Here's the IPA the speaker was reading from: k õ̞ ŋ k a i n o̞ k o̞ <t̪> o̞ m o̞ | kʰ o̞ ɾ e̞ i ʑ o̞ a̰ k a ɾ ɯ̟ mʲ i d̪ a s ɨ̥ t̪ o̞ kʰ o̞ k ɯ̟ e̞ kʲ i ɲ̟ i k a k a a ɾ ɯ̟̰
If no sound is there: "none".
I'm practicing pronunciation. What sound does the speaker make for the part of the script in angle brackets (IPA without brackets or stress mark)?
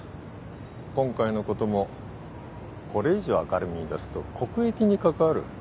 t̪